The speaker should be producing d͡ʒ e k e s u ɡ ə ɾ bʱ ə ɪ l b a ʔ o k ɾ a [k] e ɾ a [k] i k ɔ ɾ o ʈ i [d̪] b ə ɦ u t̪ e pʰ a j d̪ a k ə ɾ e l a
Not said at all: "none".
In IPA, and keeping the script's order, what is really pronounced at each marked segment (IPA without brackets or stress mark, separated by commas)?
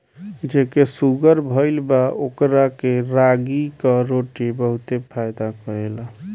k, ɡ, none